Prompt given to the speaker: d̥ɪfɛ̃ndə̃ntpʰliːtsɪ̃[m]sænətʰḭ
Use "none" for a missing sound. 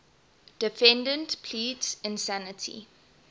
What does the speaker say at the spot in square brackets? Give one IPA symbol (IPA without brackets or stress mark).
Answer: n